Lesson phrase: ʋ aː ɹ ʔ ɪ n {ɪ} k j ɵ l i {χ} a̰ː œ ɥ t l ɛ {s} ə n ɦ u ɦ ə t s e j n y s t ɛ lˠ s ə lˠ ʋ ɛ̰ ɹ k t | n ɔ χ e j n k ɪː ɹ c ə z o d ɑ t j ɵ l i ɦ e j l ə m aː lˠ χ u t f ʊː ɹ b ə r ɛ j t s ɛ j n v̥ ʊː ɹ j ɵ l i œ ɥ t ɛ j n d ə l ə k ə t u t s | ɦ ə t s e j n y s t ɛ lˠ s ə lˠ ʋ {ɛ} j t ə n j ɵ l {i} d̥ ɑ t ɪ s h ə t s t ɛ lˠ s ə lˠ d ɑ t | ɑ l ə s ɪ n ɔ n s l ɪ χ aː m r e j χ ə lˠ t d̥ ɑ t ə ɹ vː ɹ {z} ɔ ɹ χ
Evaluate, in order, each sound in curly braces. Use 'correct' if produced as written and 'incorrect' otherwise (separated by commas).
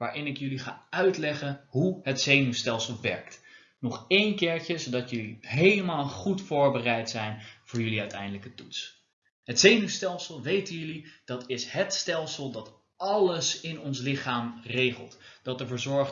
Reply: correct, correct, incorrect, incorrect, correct, correct